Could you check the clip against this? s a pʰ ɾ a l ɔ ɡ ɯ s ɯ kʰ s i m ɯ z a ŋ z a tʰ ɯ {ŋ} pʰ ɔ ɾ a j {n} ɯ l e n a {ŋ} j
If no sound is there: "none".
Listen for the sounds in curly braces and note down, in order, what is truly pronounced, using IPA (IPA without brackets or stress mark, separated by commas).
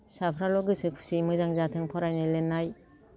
ŋ, n, none